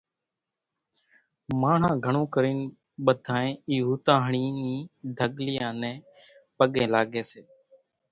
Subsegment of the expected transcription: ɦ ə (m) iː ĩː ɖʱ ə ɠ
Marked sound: incorrect: ɳ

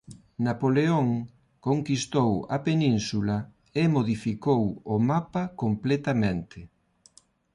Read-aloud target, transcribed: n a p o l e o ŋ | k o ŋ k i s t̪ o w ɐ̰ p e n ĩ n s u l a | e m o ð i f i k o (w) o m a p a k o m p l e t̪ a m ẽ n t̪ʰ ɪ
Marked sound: correct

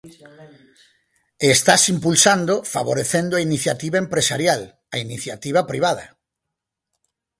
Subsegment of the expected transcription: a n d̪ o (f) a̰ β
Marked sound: correct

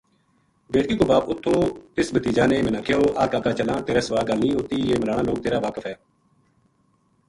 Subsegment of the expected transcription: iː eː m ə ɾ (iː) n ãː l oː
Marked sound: incorrect: aː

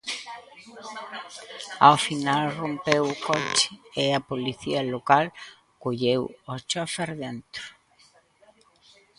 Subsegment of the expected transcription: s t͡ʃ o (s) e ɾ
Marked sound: incorrect: f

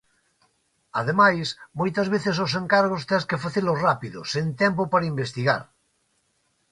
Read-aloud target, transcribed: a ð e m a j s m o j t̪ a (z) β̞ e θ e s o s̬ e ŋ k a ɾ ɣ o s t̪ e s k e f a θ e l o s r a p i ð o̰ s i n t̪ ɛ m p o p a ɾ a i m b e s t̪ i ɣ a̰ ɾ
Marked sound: correct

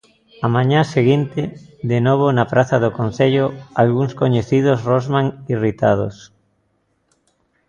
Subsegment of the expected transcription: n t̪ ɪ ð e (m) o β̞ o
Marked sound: incorrect: n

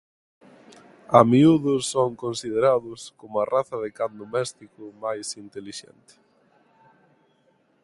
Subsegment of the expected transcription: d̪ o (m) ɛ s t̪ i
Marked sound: correct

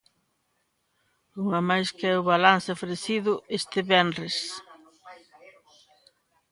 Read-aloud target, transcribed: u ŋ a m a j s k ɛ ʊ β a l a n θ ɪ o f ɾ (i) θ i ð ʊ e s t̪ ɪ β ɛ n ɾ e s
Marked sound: incorrect: e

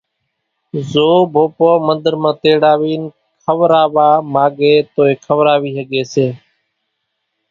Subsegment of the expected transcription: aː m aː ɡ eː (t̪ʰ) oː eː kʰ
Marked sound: incorrect: t̪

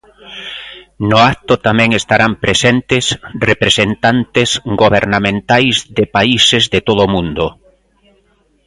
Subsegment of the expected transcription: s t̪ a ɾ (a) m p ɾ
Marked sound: correct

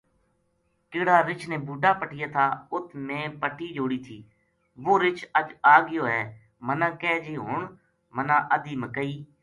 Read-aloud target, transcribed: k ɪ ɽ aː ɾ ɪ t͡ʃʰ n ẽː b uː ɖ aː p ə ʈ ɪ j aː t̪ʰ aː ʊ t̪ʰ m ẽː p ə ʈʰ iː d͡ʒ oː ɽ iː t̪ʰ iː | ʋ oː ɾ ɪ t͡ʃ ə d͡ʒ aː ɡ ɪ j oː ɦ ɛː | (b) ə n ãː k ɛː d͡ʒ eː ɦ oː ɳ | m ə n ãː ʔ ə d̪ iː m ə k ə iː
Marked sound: incorrect: m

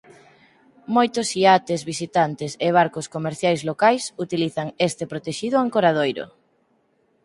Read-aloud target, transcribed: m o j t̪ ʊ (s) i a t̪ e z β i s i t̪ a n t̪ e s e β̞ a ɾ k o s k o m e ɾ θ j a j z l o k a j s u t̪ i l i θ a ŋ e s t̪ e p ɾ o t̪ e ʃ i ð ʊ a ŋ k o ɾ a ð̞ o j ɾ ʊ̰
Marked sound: correct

